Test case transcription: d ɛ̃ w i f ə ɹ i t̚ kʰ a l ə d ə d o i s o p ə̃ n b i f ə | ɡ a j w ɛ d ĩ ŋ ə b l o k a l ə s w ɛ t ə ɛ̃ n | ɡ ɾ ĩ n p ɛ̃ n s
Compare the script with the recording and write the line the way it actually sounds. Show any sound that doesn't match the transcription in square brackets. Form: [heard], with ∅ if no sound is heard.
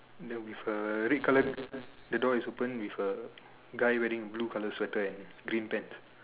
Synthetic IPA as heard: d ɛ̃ w i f ə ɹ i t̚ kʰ a l ə d ə d [ɔ] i s o p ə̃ n [w] i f ə | ɡ a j w ɛ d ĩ ŋ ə b l [u] k a l ə s w ɛ t ə ɛ̃ n | ɡ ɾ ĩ n p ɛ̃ n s